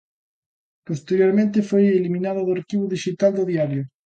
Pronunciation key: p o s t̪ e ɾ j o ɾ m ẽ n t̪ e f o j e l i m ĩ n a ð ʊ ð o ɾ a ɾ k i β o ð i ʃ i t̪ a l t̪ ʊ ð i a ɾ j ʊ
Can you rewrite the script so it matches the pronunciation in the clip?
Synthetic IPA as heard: p o s t̪ e ɾ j o ɾ m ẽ n t̪ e f o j e l i m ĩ n a ð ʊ ð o a ɾ k i β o ð i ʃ i t̪ a l d̪ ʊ ð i a ɾ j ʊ